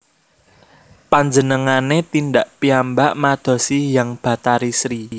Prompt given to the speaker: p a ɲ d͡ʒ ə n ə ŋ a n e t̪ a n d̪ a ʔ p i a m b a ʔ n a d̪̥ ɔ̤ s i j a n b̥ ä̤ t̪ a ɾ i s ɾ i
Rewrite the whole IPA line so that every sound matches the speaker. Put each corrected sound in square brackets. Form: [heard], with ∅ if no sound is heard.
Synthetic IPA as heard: p a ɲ d͡ʒ ə n ə ŋ a n e t̪ [i] n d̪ a ʔ p i a m b a ʔ [m] a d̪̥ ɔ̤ s i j a [ŋ] b̥ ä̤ t̪ a ɾ i s ɾ i

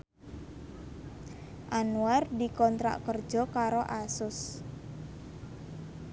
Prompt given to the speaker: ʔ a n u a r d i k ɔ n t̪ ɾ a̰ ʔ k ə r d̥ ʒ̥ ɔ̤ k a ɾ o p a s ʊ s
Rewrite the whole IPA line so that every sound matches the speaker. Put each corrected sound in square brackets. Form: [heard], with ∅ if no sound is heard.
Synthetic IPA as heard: ʔ a n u a r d i k ɔ n t̪ ɾ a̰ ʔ k ə r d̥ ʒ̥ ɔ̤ k a ɾ o [ʔ] a s ʊ s

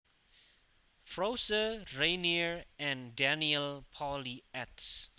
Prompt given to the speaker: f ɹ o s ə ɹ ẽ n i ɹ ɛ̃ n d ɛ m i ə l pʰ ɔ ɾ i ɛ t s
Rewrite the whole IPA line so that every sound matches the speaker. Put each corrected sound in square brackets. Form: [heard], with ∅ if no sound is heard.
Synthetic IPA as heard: f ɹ o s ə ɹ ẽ n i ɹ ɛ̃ n d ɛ [n] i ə l pʰ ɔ [l] i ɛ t s

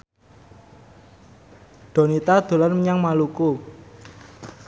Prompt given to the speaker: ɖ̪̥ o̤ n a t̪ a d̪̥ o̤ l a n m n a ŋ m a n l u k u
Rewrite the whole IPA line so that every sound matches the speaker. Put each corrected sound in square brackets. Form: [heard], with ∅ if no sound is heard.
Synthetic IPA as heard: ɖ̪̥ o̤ n [i] t̪ a d̪̥ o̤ l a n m [ɲ] a ŋ m a [∅] l u k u

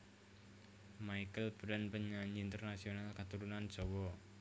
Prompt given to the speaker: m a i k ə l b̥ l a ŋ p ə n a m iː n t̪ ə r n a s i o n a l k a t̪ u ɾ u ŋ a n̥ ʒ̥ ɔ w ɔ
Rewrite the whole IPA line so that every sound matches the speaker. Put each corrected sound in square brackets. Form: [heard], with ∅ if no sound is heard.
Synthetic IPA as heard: m a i k ə l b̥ [ɾ] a [n] p ə [ɲ] a [ɲ] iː n t̪ ə r n a s i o n a l k a t̪ u ɾ u [n] a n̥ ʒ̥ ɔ w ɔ

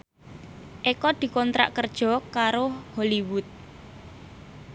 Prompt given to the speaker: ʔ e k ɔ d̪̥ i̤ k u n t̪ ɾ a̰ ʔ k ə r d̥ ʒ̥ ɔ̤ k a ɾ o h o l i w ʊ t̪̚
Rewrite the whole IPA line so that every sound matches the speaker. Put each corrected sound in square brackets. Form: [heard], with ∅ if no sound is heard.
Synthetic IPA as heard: ʔ e k ɔ d̪̥ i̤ k [ɔ] n t̪ ɾ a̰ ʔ k ə r d̥ ʒ̥ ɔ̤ k a ɾ o h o l i w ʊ t̪̚

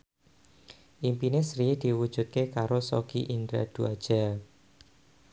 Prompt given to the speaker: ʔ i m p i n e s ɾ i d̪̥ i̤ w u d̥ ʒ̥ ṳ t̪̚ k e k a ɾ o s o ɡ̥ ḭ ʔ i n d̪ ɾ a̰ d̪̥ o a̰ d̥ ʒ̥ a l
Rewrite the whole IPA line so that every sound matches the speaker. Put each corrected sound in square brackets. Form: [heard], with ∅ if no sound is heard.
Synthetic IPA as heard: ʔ i m p i n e s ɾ i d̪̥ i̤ w u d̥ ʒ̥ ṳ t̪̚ k e k a ɾ o s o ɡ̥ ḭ ʔ i n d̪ ɾ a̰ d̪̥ [u] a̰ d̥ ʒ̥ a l

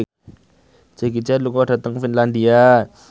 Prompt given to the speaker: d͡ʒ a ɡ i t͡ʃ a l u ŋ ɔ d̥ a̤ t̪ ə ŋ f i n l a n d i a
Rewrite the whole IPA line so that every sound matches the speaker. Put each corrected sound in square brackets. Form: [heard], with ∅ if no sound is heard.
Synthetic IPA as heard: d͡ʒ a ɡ i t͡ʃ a l u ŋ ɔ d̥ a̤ t̪ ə ŋ f i n l a n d i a

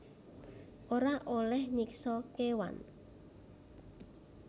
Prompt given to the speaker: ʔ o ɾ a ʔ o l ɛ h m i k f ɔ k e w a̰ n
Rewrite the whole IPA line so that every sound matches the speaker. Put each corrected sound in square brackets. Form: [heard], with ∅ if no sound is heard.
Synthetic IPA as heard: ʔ o ɾ a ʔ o l ɛ h [ɲ] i k [s] ɔ k e w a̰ n

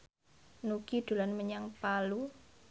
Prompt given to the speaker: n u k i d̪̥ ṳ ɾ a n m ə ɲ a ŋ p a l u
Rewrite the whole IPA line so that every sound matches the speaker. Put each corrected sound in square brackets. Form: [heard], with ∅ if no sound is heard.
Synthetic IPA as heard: n u k i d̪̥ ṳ [l] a n m ə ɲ a ŋ p a l u

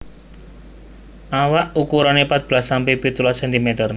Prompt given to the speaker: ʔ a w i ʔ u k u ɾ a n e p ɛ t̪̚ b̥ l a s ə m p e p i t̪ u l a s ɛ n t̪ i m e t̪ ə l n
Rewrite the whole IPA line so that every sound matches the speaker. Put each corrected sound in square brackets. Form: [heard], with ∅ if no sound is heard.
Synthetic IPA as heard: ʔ a w [a] ʔ u k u ɾ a n e p [a] t̪̚ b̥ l a s [a] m p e p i t̪ u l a s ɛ n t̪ i m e t̪ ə [r] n

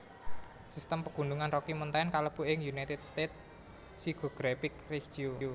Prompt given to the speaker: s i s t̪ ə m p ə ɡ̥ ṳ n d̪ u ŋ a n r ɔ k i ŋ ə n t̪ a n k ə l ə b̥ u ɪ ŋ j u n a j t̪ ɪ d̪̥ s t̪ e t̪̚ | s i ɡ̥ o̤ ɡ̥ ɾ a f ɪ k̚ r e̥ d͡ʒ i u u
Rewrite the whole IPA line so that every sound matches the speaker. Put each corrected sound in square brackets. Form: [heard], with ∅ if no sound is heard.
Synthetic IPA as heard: s i s t̪ ə m p ə ɡ̥ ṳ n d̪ u ŋ a n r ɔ k i [m] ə n t̪ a n k [a] l ə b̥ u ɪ ŋ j u n a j t̪ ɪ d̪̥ s t̪ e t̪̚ | s i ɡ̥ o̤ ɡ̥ ɾ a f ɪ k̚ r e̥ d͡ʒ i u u

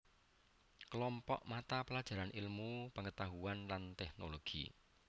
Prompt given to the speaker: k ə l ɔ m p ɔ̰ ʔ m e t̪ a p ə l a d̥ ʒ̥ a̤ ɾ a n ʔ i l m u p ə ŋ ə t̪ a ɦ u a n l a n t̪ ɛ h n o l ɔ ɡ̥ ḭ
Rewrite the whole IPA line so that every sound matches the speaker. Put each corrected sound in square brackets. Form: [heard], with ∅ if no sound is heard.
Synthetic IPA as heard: k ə l ɔ m p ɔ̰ ʔ m [a] t̪ a p ə l a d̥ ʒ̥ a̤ ɾ a n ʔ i l m u p ə ŋ ə t̪ a ɦ u a n l a n t̪ ɛ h n o l [o] ɡ̥ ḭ

